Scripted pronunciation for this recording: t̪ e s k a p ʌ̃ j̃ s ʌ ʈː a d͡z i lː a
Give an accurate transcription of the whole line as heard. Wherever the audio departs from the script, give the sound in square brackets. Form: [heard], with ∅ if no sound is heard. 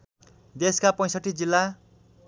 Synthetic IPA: [d̪] e s k a p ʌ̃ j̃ s ʌ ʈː [i] d͡z i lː a